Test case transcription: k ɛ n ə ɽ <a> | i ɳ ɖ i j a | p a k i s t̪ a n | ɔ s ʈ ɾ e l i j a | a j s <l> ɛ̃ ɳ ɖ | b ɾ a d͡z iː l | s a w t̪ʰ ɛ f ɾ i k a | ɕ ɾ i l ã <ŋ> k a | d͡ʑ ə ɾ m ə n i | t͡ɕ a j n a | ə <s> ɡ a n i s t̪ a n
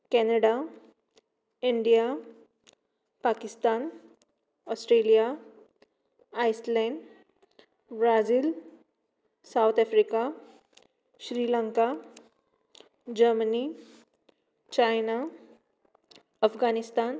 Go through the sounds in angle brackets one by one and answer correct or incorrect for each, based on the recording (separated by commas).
correct, correct, correct, incorrect